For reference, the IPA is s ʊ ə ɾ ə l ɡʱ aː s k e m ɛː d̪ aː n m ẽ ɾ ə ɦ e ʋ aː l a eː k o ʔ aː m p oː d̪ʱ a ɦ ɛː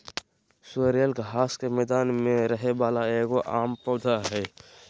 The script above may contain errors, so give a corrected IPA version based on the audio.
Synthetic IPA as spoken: s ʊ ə ɾ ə l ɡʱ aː s k e m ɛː d̪ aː n m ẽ ɾ ə ɦ e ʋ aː l a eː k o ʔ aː m p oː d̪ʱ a ɦ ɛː